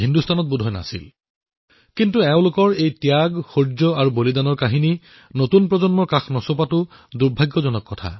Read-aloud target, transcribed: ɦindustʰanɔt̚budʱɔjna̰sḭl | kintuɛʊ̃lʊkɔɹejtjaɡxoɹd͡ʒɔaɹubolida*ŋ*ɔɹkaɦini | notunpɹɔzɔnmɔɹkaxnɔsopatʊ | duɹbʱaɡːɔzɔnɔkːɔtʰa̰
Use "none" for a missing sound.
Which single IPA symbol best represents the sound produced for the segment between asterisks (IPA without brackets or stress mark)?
n